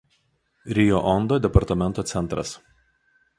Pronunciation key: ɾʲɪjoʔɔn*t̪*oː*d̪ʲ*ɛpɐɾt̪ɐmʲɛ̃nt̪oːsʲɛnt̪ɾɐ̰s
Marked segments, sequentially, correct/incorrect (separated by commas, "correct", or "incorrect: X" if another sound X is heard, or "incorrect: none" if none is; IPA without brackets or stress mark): incorrect: d̪, correct